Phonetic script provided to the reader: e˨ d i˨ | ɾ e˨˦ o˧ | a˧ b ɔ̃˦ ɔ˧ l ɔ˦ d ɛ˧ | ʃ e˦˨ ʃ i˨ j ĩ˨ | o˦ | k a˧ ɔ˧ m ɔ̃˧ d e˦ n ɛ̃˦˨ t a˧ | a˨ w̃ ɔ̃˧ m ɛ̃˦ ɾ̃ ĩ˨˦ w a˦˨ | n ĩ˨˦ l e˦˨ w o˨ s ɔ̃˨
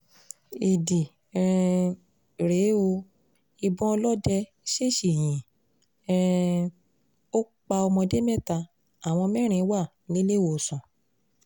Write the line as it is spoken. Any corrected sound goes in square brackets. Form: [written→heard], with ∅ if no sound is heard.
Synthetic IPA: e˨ d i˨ | ɾ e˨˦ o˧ | [a˧→i˧] b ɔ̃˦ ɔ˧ l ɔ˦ d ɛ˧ | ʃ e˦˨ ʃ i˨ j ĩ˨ | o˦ | [k→k͡p] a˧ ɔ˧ m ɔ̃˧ d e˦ [n→m] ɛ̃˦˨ t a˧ | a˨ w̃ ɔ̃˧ m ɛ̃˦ ɾ̃ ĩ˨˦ w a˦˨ | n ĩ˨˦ l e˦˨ w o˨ s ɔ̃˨